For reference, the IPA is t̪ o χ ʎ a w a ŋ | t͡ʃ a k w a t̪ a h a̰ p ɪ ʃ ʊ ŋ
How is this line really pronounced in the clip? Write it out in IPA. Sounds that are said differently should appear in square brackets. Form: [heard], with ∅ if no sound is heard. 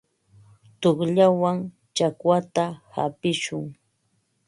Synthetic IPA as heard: t̪ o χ ʎ a w a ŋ | t͡ʃ a k w a t̪ a h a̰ p ɪ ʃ ʊ ŋ